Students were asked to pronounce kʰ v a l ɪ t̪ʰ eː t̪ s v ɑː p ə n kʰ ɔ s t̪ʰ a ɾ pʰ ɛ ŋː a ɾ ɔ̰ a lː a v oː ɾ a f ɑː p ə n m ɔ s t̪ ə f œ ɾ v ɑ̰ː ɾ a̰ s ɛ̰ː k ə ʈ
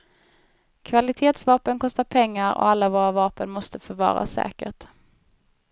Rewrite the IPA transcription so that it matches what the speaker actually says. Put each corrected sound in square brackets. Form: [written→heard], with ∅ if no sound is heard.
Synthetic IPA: kʰ v a l ɪ t̪ʰ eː t̪ s v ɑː p ə n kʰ ɔ s [t̪ʰ→t̪] a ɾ pʰ ɛ ŋː a ɾ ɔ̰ a lː a v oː ɾ a [f→v] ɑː p ə n m ɔ s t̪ ə f œ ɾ v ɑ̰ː ɾ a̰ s ɛ̰ː k ə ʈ